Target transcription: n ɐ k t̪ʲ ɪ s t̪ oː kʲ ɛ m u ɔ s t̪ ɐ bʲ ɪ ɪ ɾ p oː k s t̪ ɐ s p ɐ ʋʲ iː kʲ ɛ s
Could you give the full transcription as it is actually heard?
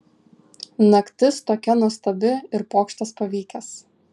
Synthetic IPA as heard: n ɐ k t̪ʲ ɪ s t̪ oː kʲ ɛ n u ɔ s t̪ ɐ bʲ ɪ ɪ ɾ p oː k ʃ t̪ ɐ s p ɐ ʋʲ iː kʲ ɛ s